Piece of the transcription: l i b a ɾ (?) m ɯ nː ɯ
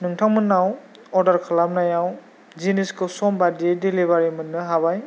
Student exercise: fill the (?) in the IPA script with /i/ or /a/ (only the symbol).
i